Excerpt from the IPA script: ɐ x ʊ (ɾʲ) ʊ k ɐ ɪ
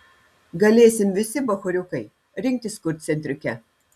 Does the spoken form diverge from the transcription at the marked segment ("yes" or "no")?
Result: no